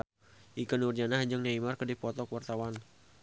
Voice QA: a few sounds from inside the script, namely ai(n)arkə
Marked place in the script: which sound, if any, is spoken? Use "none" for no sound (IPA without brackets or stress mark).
m